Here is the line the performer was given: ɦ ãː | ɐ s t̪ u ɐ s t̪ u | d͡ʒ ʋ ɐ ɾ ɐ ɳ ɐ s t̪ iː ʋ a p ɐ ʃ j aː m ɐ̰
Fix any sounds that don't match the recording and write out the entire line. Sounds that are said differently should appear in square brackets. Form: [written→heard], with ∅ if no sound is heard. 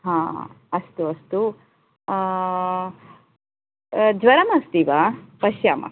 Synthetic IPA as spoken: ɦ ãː | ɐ s t̪ u ɐ s t̪ u | d͡ʒ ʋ ɐ ɾ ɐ [ɳ→m] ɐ s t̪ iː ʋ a p ɐ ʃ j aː m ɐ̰

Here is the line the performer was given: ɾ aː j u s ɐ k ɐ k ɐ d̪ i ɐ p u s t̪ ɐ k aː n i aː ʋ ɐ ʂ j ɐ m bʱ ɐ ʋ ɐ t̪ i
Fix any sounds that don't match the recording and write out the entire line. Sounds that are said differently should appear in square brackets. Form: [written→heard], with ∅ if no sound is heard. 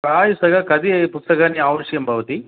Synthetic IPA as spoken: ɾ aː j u s ɐ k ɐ k ɐ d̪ i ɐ p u s t̪ ɐ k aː n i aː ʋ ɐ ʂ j ɐ m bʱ ɐ ʋ ɐ t̪ i

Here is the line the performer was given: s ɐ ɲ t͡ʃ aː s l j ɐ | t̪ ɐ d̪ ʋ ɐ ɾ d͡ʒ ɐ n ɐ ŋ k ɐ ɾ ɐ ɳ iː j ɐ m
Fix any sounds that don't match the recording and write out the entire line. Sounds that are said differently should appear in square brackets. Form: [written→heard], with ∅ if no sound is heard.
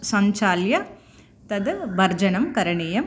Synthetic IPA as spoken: s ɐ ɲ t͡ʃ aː [s→∅] l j ɐ | t̪ ɐ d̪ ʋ ɐ ɾ d͡ʒ ɐ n ɐ [ŋ→m] k ɐ ɾ ɐ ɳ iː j ɐ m

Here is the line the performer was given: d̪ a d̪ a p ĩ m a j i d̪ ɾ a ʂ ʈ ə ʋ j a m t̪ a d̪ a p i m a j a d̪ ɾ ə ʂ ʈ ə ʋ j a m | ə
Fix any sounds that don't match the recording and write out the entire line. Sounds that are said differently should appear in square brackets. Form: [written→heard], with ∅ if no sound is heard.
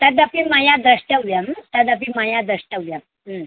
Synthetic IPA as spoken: [d̪→t̪] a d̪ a p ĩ m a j [i→a] d̪ ɾ [a→ə] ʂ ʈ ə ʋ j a m t̪ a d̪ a p i m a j a d̪ ɾ ə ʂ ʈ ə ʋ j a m | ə

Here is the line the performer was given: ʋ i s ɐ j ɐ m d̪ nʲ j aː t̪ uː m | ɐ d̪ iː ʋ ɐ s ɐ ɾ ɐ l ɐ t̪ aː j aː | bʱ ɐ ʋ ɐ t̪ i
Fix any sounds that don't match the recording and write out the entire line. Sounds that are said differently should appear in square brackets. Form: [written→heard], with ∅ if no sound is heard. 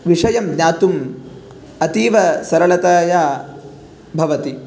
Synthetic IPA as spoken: ʋ i [s→ʂ] ɐ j ɐ m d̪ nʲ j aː t̪ [uː→u] m | ɐ [d̪→t̪] iː ʋ ɐ s ɐ ɾ ɐ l ɐ t̪ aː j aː | bʱ ɐ ʋ ɐ t̪ i

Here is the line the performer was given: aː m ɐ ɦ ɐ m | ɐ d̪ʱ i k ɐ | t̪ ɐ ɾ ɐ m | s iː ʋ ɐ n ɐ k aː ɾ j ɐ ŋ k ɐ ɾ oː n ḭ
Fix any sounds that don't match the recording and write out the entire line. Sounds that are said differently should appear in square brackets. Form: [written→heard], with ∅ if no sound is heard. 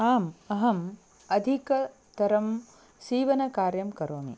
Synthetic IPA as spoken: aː m ɐ ɦ ɐ m | ɐ d̪ʱ i k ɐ | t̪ ɐ ɾ ɐ m | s iː ʋ ɐ n ɐ k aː ɾ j ɐ [ŋ→m] k ɐ ɾ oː [n→m] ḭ

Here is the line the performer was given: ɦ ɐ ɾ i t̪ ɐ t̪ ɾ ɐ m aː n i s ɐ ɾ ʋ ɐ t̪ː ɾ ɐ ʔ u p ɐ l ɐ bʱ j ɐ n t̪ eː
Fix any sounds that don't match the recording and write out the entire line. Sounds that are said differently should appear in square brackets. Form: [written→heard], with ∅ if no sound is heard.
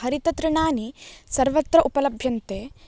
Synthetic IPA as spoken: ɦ ɐ ɾ i t̪ ɐ t̪ ɾ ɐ [m→ɳ] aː n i s ɐ ɾ ʋ ɐ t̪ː ɾ ɐ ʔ u p ɐ l ɐ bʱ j ɐ n t̪ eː

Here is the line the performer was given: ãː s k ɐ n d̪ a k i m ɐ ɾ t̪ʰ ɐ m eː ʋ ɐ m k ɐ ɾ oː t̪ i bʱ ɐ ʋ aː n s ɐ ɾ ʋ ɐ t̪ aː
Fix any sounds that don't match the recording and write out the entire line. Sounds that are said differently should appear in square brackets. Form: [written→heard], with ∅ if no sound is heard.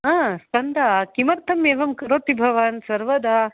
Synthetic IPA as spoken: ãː s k ɐ n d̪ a k i m ɐ ɾ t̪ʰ ɐ m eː ʋ ɐ m k ɐ ɾ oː t̪ i bʱ ɐ ʋ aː n s ɐ ɾ ʋ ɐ [t̪→d̪] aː

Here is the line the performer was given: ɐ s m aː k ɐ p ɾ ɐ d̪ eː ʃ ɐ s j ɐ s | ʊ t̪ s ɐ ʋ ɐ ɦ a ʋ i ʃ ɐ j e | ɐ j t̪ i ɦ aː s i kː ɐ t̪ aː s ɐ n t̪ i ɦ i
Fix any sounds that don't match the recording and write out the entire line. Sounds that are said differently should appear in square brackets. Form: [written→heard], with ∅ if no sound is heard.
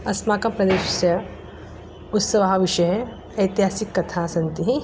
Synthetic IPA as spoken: ɐ s m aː k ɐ p ɾ ɐ d̪ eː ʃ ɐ s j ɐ [s→∅] | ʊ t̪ s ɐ ʋ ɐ ɦ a ʋ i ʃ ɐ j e | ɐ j t̪ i ɦ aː s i kː ɐ [t̪→t̪ʰ] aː s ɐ n t̪ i ɦ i

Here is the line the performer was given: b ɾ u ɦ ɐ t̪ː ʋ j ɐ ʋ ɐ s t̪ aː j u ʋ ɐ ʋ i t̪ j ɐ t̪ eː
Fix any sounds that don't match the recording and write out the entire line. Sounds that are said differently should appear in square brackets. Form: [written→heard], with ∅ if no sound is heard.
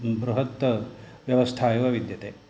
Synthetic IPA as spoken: b ɾ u ɦ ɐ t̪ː ʋ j ɐ ʋ ɐ s [t̪→t̪ʰ] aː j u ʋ ɐ ʋ i [t̪→d̪] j ɐ t̪ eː

